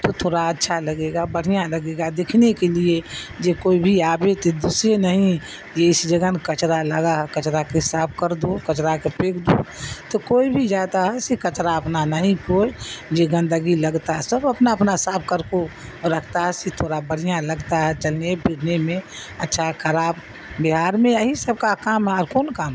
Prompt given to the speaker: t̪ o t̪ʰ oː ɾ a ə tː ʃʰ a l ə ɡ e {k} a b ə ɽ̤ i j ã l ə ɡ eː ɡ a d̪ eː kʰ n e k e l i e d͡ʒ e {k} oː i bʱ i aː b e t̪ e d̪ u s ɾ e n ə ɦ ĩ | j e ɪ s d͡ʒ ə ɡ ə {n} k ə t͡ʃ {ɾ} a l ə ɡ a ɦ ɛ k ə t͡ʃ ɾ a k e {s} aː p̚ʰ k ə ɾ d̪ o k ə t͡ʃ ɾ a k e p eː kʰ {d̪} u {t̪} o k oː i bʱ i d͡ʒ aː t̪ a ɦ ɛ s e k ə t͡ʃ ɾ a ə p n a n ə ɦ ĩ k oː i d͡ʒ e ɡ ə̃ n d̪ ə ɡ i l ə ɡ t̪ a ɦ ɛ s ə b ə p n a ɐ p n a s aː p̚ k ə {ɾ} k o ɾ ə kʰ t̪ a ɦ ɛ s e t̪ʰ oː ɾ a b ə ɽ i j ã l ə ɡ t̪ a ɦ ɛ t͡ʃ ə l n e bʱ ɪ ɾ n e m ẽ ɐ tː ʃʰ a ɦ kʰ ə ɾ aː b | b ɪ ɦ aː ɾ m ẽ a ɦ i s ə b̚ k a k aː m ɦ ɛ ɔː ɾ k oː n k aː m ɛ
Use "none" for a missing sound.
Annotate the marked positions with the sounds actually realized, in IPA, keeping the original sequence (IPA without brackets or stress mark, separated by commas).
ɡ, k, n, ɾ, s, d̪, t̪, ɾ